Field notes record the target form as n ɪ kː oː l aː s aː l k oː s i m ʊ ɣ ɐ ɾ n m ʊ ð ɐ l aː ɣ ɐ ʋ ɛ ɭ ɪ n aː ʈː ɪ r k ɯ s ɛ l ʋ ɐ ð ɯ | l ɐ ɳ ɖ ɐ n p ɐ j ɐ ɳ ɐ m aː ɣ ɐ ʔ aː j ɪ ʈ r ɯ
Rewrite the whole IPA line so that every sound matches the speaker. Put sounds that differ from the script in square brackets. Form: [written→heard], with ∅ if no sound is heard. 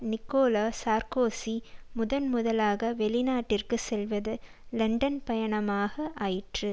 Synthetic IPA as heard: n ɪ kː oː l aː s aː [l→ɾ] k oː s i m ʊ [ɣ→ð] ɐ [ɾ→∅] n m ʊ ð ɐ l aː ɣ ɐ ʋ ɛ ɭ ɪ n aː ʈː ɪ r k ɯ s ɛ l ʋ ɐ ð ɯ | l ɐ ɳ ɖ ɐ n p ɐ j ɐ ɳ ɐ m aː ɣ ɐ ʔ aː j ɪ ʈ r ɯ